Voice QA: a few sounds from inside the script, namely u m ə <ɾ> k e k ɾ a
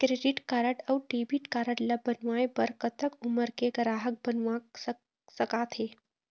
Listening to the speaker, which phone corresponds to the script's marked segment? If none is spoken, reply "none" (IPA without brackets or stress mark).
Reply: ɾ